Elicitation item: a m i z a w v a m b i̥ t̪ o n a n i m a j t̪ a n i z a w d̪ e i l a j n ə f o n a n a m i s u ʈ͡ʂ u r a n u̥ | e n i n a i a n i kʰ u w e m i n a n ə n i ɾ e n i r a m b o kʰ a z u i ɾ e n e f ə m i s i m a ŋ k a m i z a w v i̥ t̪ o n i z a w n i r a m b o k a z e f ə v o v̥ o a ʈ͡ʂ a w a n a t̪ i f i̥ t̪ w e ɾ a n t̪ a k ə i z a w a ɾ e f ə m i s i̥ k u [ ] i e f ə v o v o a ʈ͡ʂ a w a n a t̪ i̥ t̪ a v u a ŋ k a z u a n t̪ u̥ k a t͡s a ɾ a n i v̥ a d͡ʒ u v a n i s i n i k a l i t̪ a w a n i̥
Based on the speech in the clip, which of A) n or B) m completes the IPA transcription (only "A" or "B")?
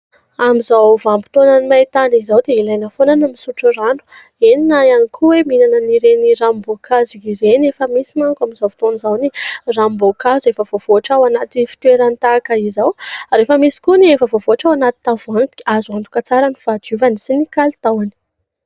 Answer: A